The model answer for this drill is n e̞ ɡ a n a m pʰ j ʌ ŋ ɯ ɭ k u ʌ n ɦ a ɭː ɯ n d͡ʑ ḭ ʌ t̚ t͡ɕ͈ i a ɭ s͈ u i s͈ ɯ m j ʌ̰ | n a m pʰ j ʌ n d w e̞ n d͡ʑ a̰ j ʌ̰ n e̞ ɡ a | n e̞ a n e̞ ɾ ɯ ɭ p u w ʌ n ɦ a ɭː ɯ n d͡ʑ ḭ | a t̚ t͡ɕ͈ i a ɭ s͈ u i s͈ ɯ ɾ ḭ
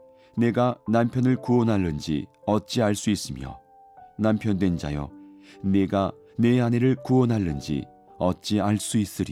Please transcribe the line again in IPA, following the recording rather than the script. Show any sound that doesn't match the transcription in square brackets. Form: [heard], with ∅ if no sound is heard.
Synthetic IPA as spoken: n e̞ ɡ a n a m pʰ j ʌ [n] ɯ ɭ k u ʌ n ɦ a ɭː ɯ n d͡ʑ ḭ ʌ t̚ t͡ɕ͈ i a ɭ s͈ u i s͈ ɯ m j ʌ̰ | n a m pʰ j ʌ n d w e̞ n d͡ʑ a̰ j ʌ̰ n e̞ ɡ a | n e̞ a n e̞ ɾ ɯ ɭ [k] u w ʌ n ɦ a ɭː ɯ n d͡ʑ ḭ | [ʌ] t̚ t͡ɕ͈ i a ɭ s͈ u i s͈ ɯ ɾ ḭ